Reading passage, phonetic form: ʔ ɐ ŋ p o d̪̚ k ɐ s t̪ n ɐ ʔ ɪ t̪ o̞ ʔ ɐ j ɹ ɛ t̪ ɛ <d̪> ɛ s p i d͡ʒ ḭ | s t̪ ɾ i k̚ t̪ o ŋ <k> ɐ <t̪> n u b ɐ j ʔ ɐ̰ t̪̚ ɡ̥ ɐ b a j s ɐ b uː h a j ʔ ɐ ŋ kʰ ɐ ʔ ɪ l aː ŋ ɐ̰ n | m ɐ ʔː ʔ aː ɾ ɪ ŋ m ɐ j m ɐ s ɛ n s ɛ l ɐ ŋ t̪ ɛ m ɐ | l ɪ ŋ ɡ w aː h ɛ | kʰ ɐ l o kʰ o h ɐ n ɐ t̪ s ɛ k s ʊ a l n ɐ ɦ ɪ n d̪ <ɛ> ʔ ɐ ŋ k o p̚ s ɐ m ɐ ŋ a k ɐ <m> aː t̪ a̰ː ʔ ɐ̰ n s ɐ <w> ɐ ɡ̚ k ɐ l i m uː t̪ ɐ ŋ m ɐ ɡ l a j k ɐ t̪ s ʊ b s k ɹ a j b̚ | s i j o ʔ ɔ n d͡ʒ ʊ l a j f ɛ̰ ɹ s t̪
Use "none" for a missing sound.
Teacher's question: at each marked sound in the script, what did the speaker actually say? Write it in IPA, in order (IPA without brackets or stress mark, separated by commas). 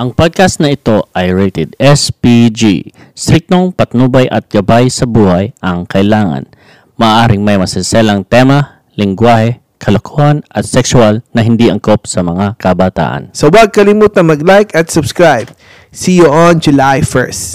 d̪, p, t̪, i, b, w